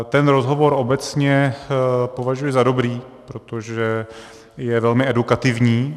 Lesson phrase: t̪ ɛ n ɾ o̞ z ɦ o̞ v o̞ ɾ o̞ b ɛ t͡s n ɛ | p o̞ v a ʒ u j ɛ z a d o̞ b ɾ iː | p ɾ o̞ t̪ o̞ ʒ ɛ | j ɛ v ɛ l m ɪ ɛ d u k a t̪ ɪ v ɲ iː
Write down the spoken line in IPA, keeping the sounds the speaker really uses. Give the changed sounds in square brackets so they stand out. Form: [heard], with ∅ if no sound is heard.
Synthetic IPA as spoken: t̪ ɛ n ɾ o̞ z ɦ o̞ v o̞ ɾ o̞ b ɛ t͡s [ɲ] ɛ | p o̞ v a ʒ u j ɛ z a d o̞ b ɾ iː | p ɾ o̞ t̪ o̞ ʒ ɛ | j ɛ v ɛ l m ɪ ɛ d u k a t̪ ɪ v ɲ iː

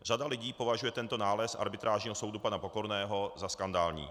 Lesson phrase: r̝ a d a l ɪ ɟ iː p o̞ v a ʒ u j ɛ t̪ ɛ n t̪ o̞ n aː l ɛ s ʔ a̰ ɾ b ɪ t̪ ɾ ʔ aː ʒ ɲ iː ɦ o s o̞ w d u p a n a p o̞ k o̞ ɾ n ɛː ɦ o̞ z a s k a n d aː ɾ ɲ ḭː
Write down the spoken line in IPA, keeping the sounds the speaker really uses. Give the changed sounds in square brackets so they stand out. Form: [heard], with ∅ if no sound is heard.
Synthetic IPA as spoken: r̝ a d a l ɪ ɟ iː p o̞ v a ʒ u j ɛ t̪ ɛ n t̪ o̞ n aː l ɛ s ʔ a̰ ɾ b ɪ t̪ ɾ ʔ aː ʒ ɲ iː ɦ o s o̞ w d u p a n a p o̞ k o̞ ɾ n ɛː ɦ o̞ z a s k a n d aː [l] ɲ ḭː

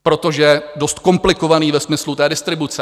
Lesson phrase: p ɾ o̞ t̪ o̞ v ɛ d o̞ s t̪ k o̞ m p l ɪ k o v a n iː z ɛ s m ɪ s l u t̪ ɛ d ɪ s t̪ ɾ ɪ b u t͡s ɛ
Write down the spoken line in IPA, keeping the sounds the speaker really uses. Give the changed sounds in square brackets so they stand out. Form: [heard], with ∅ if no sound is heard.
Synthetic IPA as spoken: p ɾ o̞ t̪ o̞ [ʒ] ɛ d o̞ s t̪ k o̞ m p l ɪ k o v a n iː [v] ɛ s m ɪ s l u t̪ [ɛː] d ɪ s t̪ ɾ ɪ b u t͡s ɛ

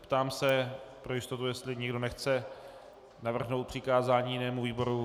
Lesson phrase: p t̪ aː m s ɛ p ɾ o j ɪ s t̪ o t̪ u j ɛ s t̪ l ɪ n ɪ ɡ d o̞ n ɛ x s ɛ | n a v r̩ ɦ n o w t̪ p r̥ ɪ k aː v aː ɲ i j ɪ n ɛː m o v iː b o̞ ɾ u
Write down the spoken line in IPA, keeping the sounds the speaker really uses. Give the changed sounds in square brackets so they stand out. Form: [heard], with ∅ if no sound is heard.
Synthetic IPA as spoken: p t̪ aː m s ɛ p ɾ o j ɪ s t̪ o t̪ u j ɛ s t̪ l ɪ [ɲ] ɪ ɡ d o̞ n ɛ x [t͡s] ɛ | n a v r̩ ɦ n o w t̪ p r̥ ɪ k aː [z] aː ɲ i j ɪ n ɛː m [u] v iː b o̞ ɾ u

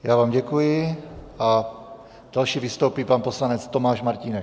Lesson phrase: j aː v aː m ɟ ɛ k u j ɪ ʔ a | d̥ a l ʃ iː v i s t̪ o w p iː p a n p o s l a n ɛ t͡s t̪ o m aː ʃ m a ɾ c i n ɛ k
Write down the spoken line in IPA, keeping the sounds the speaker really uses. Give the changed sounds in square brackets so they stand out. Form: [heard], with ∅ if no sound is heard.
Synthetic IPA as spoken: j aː v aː m ɟ ɛ k u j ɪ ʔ a | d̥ a l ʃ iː v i s t̪ o w p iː p a n p o s l a n ɛ t͡s t̪ o m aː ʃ m a ɾ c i n ɛ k

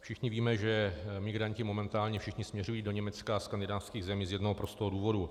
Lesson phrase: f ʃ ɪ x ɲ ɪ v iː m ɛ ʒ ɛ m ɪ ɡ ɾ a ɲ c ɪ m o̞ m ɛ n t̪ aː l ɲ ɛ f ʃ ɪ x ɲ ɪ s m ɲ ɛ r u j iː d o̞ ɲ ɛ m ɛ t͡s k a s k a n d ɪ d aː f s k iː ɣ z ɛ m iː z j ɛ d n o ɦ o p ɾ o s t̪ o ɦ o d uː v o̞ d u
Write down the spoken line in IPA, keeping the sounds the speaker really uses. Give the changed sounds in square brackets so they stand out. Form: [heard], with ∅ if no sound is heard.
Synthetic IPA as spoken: f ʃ ɪ x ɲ ɪ v iː m ɛ ʒ ɛ m ɪ ɡ ɾ a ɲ c ɪ m o̞ m ɛ n t̪ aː l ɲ ɛ f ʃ ɪ x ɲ ɪ s m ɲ ɛ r u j iː d o̞ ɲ ɛ m ɛ t͡s k a s k a n d ɪ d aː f s k iː ɣ z ɛ m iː z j ɛ d n o ɦ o p ɾ o s t̪ o ɦ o d uː v o̞ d u

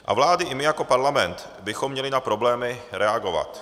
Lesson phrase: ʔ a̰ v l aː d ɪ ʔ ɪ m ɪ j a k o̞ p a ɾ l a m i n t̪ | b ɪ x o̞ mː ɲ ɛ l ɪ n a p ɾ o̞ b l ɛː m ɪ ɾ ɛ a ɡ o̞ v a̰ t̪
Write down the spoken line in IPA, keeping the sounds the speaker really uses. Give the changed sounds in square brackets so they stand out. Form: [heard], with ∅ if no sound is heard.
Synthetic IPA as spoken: ʔ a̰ v l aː d ɪ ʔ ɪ m ɪ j a k o̞ p a ɾ l a m [ɛ] n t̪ | b ɪ x o̞ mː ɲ ɛ l ɪ n a p ɾ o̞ b l ɛː m ɪ ɾ ɛ a ɡ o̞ v a̰ t̪

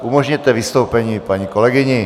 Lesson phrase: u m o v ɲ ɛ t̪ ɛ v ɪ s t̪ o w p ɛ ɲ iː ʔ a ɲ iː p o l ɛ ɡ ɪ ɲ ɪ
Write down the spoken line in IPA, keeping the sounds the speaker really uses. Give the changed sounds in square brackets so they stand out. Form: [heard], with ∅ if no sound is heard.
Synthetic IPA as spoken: u m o [ʒ] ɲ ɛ t̪ ɛ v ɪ s t̪ o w p ɛ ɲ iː [p] a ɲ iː [k] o l ɛ ɡ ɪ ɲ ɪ

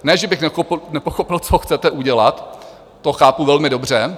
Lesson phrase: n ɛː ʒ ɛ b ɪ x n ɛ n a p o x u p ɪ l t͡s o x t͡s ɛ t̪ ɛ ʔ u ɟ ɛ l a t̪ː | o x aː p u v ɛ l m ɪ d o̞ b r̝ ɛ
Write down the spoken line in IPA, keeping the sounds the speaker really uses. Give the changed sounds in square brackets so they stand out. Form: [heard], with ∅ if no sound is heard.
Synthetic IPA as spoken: n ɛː ʒ ɛ b ɪ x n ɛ n [ɛ] p o x [o] p ɪ l t͡s o x t͡s ɛ t̪ ɛ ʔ u ɟ ɛ l a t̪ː | o x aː p u v ɛ l m ɪ d o̞ b r̝ ɛ

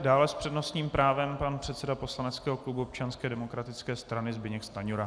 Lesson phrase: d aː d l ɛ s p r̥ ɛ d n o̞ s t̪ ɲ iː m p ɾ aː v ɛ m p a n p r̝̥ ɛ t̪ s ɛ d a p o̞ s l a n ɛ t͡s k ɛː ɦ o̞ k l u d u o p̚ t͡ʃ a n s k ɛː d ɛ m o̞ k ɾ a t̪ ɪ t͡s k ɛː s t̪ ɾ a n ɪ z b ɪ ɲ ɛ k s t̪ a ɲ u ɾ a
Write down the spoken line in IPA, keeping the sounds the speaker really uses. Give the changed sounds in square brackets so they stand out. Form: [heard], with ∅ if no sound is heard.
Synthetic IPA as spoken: d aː [∅] l ɛ s p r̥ ɛ d n o̞ s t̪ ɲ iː m p ɾ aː v ɛ m p a n p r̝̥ ɛ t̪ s ɛ d a p o̞ s l a n ɛ t͡s k ɛː ɦ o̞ k l u [b] u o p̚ t͡ʃ a n s k ɛː d ɛ m o̞ k ɾ a t̪ ɪ t͡s k ɛː s t̪ ɾ a n ɪ z b ɪ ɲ ɛ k s t̪ a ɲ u ɾ a

